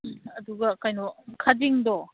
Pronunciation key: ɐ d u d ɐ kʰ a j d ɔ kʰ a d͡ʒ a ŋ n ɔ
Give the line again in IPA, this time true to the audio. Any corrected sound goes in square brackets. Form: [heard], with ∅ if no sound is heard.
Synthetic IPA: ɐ d u [ɡ] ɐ [k] a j [n] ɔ kʰ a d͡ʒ [i] ŋ [d] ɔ